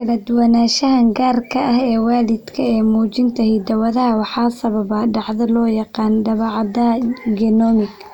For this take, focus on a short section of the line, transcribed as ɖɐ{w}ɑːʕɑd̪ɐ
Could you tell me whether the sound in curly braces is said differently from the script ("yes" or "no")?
yes